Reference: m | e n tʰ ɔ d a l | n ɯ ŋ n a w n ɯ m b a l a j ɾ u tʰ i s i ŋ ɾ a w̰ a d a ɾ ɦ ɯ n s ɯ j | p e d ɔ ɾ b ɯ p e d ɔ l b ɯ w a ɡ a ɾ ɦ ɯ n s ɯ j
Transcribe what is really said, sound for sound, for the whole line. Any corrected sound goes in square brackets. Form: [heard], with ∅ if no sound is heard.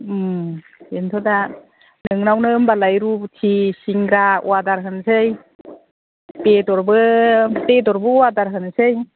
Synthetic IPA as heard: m | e n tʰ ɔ d a [∅] | n ɯ ŋ n a w n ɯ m b a l a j ɾ u tʰ i s i ŋ ɾ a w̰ a d a ɾ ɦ ɯ n s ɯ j | p e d ɔ ɾ b ɯ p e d ɔ [ɾ] b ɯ w a [d] a ɾ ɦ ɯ n s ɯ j